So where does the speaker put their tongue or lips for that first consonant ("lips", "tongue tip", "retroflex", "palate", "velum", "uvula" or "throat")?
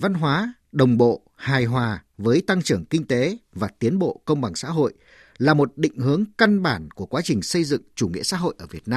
lips